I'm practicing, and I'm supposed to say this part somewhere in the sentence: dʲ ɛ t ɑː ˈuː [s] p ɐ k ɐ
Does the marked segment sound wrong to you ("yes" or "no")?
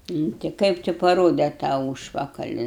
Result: yes